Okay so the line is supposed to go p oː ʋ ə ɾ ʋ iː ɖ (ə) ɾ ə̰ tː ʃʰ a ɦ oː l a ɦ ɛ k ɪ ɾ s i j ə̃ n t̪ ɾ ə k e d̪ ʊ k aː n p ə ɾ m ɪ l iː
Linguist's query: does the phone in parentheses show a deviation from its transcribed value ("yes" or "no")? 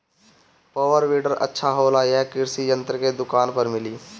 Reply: no